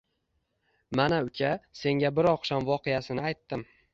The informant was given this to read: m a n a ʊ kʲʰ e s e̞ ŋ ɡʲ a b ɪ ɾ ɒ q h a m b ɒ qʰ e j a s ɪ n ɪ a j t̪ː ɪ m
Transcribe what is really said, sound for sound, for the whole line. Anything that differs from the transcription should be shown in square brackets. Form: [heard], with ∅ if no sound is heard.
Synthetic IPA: m a n a ʊ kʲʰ [a] s e̞ ŋ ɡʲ a b ɪ ɾ ɒ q [ʃ] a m [v] ɒ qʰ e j a s ɪ n ɪ a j t̪ː ɪ m

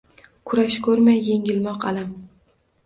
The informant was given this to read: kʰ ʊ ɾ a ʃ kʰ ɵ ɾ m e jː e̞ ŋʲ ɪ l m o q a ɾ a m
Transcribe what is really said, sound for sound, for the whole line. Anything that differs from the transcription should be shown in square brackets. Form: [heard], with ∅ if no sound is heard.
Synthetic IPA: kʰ ʊ ɾ a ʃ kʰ ɵ ɾ m [a] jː e̞ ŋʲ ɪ l m [ɒ] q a [l] a m

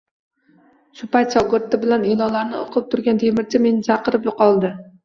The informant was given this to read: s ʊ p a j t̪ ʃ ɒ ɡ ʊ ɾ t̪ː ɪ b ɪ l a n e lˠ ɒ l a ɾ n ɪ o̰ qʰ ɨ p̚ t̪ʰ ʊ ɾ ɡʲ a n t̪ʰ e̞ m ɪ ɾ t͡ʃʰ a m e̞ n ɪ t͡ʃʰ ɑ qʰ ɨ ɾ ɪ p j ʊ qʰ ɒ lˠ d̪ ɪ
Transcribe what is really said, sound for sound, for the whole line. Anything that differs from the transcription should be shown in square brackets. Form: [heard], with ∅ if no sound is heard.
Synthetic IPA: [ʃ] ʊ p a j t̪ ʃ ɒ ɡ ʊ ɾ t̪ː ɪ b ɪ l a n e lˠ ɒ l a ɾ n ɪ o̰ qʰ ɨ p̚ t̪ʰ ʊ ɾ ɡʲ a n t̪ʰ e̞ m ɪ ɾ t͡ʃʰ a m e̞ n ɪ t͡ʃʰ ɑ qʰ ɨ ɾ ɪ p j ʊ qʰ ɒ lˠ d̪ ɪ

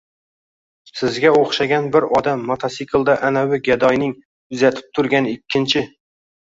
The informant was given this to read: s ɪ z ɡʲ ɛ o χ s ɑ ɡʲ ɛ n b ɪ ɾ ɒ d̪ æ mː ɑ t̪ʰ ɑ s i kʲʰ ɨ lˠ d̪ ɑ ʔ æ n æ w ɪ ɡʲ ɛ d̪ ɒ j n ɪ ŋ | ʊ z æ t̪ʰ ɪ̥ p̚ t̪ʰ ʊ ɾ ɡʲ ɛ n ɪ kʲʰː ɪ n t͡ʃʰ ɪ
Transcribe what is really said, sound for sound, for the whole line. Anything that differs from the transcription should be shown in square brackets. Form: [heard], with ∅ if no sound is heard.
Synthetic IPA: s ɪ z ɡʲ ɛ o χ [ʃ] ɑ ɡʲ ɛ n b ɪ ɾ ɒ d̪ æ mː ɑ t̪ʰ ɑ s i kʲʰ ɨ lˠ d̪ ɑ ʔ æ n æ w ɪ ɡʲ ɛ d̪ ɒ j n ɪ ŋ | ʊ z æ t̪ʰ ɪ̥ p̚ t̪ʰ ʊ ɾ ɡʲ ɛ n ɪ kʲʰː ɪ n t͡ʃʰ ɪ

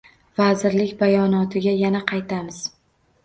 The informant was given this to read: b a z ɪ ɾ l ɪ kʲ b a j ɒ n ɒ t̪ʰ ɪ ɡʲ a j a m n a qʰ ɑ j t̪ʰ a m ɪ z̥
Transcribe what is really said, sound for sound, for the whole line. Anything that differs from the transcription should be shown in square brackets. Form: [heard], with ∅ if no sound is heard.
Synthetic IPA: [v] a z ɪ ɾ l ɪ kʲ b a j ɒ n ɒ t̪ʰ ɪ ɡʲ a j a [∅] n a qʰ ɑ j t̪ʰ a m ɪ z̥

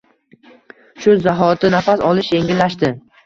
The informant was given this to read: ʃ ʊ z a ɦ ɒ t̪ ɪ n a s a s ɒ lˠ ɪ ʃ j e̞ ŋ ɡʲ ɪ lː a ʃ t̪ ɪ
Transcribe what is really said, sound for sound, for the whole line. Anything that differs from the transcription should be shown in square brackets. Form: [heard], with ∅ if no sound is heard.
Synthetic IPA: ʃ ʊ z a ɦ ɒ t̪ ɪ n a [f] a s ɒ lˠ ɪ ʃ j e̞ ŋ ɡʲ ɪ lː a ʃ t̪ ɪ

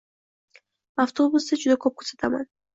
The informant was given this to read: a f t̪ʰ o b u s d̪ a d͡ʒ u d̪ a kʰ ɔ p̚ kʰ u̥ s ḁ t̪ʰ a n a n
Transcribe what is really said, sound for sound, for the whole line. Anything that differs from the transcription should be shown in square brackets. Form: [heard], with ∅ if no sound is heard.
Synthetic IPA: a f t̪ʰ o b u s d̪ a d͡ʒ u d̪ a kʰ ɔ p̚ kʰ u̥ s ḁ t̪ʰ a [m] a n

